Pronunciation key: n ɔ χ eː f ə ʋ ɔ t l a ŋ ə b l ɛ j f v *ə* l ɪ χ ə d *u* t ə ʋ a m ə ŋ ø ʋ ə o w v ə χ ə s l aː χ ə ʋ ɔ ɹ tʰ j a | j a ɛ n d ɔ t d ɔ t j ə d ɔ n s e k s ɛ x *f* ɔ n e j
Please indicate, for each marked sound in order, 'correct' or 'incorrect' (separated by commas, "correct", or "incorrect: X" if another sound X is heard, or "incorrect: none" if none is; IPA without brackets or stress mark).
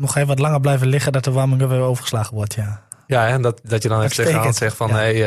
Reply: correct, incorrect: ɔ, correct